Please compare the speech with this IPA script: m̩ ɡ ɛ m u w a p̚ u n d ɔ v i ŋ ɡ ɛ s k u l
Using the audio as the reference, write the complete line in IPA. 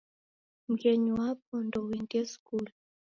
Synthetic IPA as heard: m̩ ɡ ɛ ɲ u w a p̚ ɔ n d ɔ w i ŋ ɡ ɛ s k u l